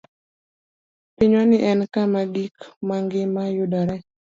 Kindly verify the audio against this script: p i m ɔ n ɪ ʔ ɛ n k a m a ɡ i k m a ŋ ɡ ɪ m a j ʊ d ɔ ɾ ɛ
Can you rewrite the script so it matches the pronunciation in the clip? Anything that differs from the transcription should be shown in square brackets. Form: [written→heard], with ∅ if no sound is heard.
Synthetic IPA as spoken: p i [m→ɲ] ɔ n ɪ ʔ ɛ n k a m a ɡ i k m a ŋ ɡ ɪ m a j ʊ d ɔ ɾ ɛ

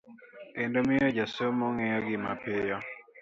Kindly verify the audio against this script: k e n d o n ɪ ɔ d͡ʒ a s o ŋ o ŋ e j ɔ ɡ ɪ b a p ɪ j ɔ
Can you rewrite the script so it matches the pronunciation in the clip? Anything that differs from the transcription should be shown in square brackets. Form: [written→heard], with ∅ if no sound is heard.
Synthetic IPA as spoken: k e n d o [n→m] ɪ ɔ d͡ʒ a s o [ŋ→m] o ŋ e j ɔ ɡ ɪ [b→m] a p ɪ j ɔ

